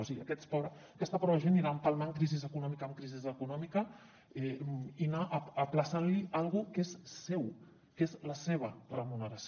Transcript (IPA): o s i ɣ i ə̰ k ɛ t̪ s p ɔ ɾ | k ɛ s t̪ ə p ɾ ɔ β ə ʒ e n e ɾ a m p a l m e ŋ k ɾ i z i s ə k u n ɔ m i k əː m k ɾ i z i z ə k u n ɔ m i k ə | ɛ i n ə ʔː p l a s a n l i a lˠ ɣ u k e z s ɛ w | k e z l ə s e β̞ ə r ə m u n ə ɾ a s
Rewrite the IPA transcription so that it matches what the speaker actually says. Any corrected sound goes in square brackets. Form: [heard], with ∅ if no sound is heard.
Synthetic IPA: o s i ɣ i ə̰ k ɛ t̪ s p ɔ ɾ | k ɛ s t̪ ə p ɾ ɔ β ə ʒ e n [i] ɾ a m p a l m [a] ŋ k ɾ i z i [z] ə k u n ɔ m i k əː m k ɾ i z i z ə k u n ɔ m i k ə | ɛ i n [a] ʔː p l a s a n l i a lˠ ɣ u k e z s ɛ w | k e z l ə s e β̞ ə r ə m u n ə ɾ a s